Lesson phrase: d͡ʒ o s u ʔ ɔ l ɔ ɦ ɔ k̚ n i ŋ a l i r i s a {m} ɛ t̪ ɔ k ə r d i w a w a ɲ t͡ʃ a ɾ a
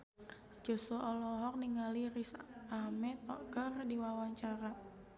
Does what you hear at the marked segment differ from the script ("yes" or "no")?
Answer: no